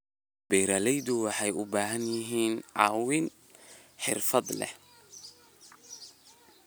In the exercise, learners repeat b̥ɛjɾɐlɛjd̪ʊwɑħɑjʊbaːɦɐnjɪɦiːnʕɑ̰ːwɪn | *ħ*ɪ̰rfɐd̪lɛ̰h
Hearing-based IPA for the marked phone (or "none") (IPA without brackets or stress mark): ħ